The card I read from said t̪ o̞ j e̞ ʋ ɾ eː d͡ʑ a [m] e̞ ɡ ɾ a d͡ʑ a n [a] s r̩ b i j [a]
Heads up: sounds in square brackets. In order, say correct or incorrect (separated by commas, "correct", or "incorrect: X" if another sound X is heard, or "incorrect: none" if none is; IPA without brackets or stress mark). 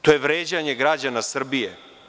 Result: incorrect: ɲ, correct, incorrect: e